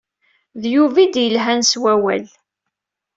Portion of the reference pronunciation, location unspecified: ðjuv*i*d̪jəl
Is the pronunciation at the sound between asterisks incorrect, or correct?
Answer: correct